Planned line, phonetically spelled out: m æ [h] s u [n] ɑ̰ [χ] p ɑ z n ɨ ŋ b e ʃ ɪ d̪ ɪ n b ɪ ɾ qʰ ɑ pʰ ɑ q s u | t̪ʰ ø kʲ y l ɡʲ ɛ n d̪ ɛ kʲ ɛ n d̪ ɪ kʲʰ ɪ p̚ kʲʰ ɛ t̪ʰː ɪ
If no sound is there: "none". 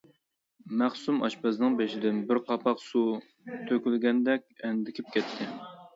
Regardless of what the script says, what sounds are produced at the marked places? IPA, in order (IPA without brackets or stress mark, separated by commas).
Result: χ, m, ʃ